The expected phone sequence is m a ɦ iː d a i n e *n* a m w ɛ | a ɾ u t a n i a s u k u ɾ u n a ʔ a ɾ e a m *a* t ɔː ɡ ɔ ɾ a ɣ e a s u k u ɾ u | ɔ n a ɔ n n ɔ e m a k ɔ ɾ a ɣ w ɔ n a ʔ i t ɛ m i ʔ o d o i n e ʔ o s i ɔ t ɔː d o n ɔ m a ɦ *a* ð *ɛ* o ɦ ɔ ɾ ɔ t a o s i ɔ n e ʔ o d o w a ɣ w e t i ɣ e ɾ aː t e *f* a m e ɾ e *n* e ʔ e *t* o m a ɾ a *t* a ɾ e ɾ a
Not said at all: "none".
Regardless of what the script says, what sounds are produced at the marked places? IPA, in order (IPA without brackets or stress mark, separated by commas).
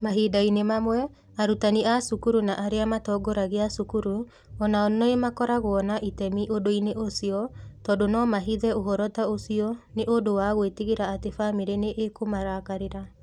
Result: m, a, i, ɛ, f, n, k, k